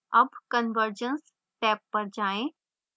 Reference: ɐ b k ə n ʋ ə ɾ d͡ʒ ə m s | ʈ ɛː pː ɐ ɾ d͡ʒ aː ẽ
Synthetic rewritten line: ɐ b k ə n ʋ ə ɾ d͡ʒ ə n s | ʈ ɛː pː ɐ ɾ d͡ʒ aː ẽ